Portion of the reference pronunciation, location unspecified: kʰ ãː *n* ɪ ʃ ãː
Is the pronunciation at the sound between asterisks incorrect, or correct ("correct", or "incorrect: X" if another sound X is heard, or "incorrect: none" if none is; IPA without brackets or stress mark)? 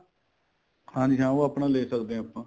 correct